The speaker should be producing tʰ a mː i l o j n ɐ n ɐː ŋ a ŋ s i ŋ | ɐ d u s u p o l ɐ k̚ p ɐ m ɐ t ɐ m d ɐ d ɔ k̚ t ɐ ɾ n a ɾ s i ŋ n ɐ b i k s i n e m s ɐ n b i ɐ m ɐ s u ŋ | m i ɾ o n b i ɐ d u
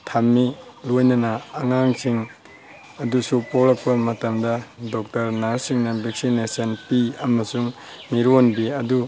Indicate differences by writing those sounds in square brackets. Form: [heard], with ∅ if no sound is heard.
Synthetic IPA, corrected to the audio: tʰ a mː i l o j n ɐ n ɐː ŋ a ŋ s i ŋ | ɐ d u s u p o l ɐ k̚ p ɐ m ɐ t ɐ m d ɐ d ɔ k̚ t ɐ ɾ n a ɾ s i ŋ n ɐ b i k s i n e [∅] s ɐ n [p] i ɐ m ɐ s u ŋ | m i ɾ o n b i ɐ d u

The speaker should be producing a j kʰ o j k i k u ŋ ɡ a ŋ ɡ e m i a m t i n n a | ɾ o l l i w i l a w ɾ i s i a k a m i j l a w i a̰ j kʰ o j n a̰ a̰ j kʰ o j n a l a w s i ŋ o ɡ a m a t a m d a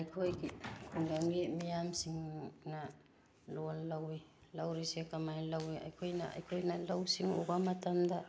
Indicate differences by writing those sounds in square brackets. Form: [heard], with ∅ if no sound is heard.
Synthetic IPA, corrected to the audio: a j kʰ o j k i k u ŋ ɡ a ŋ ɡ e m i a m [s] i [ŋ] n a | [l] o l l [a] w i l a w ɾ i s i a k a m [a] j l a w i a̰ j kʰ o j n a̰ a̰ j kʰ o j n a l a w s i ŋ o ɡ a m a t a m d a

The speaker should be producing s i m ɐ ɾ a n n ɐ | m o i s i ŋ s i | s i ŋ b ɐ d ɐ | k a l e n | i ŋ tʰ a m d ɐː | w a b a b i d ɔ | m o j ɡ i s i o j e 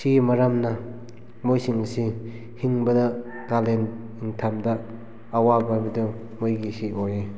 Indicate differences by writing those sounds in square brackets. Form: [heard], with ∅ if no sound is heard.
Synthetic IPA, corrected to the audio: s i m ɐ ɾ a [m] n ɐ | m o [j] s i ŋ s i | [h] i ŋ b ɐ d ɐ | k a l e n | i ŋ tʰ a m d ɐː | w a b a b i d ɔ | m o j ɡ i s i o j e

